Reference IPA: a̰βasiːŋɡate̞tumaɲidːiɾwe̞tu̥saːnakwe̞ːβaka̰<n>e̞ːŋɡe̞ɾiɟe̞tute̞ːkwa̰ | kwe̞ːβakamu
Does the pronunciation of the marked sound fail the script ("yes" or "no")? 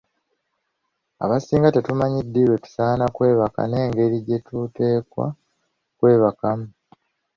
no